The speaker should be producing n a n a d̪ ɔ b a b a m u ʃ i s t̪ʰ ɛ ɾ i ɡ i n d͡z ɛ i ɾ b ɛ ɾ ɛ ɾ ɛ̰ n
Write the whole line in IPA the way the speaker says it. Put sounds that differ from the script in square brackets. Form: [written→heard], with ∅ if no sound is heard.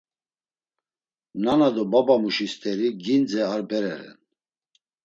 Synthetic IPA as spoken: n a n a d̪ ɔ b a b a m u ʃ i s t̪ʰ ɛ ɾ i ɡ i n d͡z ɛ [i→a] ɾ b ɛ ɾ ɛ ɾ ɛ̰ n